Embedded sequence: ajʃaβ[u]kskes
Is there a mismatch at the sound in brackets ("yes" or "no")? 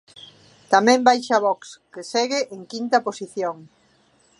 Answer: yes